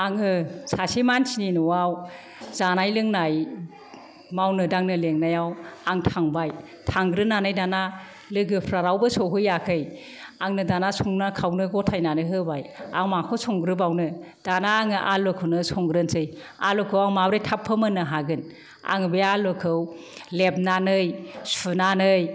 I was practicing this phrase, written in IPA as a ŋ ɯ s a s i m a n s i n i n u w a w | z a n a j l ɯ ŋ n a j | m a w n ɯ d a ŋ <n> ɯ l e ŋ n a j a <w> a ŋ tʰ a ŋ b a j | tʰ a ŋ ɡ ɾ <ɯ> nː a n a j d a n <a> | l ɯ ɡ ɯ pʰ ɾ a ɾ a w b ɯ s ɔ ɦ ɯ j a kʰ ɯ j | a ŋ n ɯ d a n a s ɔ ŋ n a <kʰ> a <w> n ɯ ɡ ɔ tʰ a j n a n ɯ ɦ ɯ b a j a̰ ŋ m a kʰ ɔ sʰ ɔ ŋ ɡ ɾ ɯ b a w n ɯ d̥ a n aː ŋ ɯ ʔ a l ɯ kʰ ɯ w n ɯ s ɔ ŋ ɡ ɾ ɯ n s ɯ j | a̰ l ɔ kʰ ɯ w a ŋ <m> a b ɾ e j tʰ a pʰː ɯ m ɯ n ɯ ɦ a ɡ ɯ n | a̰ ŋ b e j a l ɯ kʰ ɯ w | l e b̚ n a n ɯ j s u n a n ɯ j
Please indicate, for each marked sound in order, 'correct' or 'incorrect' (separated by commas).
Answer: correct, correct, correct, correct, correct, correct, correct